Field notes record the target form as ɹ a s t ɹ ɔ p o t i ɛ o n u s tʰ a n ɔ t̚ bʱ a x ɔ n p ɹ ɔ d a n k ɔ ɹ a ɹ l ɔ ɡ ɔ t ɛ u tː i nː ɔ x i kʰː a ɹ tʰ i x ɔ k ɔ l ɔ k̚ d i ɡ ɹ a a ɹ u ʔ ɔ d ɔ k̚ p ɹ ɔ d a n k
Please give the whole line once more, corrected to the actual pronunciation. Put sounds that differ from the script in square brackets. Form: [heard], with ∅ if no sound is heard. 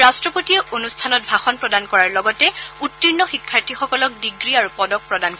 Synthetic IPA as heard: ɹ a s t ɹ ɔ p o t i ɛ o n u s tʰ a n ɔ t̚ bʱ a x ɔ n p ɹ ɔ d a n k ɔ ɹ a ɹ l ɔ ɡ ɔ t ɛ u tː i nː ɔ x i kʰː a ɹ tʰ i x ɔ k ɔ l ɔ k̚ d i ɡ ɹ [i] a ɹ u [p] ɔ d ɔ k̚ p ɹ ɔ d a n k